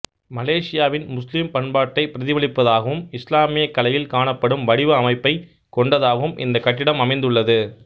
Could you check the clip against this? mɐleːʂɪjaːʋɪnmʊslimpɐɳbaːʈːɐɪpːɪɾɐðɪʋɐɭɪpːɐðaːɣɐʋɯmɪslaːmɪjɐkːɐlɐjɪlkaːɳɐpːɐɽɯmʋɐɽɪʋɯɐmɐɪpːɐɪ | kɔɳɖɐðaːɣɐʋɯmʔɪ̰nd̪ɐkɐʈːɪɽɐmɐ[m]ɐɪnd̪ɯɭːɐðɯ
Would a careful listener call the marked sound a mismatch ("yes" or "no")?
no